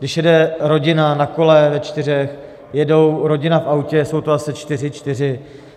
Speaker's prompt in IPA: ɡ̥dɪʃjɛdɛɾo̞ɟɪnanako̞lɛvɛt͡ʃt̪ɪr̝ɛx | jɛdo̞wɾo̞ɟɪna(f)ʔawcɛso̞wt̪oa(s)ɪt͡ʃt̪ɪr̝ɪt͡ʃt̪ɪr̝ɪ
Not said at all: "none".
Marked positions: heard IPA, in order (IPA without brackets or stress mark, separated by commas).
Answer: f, s